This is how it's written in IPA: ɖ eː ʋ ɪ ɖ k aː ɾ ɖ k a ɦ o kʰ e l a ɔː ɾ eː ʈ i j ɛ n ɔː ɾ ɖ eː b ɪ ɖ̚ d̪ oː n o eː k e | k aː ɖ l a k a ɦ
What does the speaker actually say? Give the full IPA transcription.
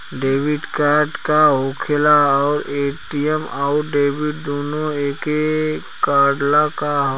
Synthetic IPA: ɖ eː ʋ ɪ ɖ k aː ɾ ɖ k a ɦ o kʰ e l a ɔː ɾ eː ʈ i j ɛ m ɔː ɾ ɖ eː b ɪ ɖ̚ d̪ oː n o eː k e | k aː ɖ l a k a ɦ